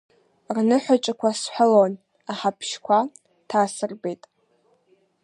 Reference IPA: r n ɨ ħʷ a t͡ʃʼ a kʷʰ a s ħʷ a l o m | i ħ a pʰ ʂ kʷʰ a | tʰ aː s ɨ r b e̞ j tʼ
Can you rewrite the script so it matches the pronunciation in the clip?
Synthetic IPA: r n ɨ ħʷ a t͡ʃʼ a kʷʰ a s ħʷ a l o n | a ħ a pʰ ʃ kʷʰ a | tʰ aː s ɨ r b e̞ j tʼ